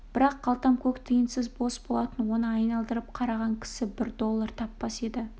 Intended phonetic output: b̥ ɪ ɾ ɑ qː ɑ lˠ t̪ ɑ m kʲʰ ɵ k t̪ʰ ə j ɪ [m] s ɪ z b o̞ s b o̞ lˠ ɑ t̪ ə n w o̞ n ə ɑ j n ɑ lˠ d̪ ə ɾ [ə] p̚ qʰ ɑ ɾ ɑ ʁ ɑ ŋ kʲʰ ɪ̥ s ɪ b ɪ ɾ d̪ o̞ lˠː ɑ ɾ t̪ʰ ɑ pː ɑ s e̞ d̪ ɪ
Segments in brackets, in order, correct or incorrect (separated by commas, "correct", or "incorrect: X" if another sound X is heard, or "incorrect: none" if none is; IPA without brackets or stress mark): incorrect: n, correct